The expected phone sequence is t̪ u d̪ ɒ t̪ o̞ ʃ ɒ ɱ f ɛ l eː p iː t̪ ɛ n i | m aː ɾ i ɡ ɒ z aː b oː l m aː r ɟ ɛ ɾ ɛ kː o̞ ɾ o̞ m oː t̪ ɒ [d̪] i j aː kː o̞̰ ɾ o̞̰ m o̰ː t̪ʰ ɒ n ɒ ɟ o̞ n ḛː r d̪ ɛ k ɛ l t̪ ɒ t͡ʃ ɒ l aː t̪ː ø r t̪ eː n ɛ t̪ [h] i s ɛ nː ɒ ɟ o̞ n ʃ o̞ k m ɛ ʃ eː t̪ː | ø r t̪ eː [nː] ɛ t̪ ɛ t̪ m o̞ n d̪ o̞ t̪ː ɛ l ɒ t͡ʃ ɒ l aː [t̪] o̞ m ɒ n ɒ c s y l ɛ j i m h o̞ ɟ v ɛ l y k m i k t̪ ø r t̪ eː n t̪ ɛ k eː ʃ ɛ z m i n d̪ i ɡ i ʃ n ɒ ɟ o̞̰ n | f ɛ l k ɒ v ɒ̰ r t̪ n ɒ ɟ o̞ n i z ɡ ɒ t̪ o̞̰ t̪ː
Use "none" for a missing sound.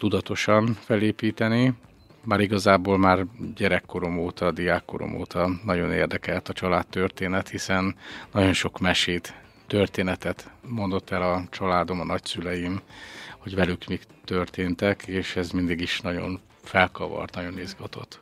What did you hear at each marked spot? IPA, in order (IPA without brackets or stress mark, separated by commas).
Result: d̪, h, n, d̪